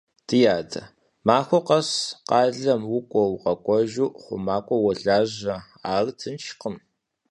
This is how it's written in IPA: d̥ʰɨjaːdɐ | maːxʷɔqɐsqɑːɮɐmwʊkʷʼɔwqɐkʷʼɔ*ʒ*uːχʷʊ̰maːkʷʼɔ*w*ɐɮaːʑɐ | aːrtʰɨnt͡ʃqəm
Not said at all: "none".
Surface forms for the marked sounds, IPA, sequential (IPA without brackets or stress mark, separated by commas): ʒ, w